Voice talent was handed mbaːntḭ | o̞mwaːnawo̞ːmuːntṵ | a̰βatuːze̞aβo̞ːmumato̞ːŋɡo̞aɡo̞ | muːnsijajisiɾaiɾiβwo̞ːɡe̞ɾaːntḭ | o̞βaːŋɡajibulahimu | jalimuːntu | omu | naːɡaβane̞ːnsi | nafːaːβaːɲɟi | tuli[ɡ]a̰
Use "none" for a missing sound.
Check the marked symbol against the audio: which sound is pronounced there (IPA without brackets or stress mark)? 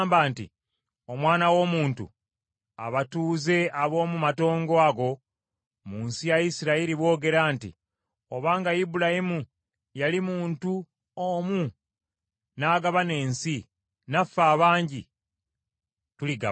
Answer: ɡ